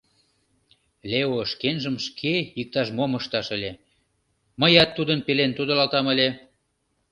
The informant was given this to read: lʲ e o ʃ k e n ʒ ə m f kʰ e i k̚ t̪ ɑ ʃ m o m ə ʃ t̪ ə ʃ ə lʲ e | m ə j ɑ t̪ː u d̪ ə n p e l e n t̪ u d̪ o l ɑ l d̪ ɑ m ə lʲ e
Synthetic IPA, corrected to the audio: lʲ e o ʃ k e n ʒ ə m ʃ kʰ e i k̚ t̪ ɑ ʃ m o m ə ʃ t̪ ɑ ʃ ə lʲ e | m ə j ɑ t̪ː u d̪ ə n p e l e n t̪ u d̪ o l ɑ l t̪ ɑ m ə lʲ e